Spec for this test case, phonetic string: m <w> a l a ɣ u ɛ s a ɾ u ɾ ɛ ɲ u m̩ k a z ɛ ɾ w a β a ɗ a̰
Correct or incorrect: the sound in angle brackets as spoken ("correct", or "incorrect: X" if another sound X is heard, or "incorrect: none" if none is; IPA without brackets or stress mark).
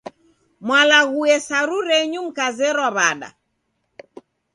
correct